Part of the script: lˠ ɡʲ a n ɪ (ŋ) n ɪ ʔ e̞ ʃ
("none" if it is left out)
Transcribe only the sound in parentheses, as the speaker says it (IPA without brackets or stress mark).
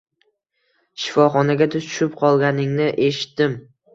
ŋ